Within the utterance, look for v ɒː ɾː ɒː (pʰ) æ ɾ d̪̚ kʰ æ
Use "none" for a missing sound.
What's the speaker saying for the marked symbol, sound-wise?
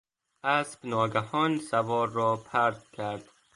pʰ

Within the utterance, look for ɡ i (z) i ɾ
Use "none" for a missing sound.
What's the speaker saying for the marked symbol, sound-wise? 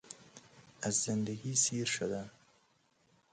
s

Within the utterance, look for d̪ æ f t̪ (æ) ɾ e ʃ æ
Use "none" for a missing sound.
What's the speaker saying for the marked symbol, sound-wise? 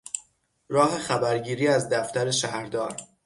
æ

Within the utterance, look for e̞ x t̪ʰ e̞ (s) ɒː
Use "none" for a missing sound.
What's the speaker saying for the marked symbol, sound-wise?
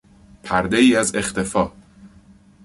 f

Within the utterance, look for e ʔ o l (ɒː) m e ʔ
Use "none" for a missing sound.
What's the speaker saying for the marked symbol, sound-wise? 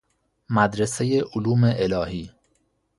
uː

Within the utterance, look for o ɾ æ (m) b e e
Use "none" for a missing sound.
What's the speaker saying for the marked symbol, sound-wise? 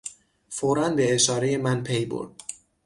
n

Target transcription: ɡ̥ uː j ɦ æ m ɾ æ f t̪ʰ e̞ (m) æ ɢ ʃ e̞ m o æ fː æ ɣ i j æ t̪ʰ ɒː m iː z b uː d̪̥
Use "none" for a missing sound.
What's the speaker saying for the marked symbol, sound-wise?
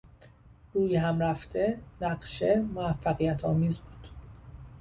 n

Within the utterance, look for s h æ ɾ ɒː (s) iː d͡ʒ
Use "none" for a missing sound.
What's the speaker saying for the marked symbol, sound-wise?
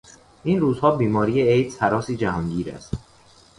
s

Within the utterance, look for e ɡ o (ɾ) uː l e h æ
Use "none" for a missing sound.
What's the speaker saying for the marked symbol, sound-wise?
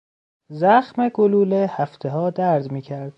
l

